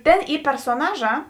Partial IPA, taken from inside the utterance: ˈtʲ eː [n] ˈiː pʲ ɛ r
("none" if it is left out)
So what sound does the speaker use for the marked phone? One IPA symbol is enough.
n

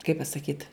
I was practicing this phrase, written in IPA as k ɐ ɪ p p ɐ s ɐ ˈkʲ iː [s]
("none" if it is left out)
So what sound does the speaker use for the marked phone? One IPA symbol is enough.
t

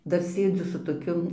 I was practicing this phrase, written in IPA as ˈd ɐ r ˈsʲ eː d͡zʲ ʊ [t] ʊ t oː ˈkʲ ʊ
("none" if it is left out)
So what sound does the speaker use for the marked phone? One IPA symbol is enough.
s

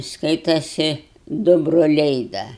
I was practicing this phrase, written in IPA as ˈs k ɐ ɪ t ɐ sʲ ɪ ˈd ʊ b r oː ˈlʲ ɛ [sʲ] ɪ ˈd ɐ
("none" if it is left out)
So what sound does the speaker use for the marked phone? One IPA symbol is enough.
none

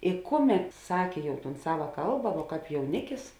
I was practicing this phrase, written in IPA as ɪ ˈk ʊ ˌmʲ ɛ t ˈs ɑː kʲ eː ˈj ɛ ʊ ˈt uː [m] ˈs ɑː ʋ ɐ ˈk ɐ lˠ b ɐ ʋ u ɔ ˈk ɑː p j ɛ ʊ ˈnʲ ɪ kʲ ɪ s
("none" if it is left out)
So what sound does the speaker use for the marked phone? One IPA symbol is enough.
n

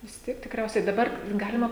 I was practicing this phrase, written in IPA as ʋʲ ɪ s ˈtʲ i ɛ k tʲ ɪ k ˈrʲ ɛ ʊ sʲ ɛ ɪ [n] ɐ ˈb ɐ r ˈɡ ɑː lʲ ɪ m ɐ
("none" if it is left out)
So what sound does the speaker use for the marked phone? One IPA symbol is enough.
d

